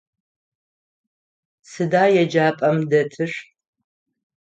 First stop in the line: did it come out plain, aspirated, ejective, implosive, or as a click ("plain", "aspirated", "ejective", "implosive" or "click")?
plain